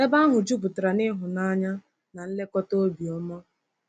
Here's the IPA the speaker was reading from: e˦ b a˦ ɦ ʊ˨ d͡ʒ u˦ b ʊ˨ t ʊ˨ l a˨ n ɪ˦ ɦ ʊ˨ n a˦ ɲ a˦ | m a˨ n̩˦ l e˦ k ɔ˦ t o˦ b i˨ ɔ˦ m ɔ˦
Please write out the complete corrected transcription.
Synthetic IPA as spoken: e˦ b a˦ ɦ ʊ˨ d͡ʒ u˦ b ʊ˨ t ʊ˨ ɾ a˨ n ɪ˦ ɦ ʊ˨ n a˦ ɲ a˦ | n a˨ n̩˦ l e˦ k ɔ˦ t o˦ b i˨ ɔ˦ m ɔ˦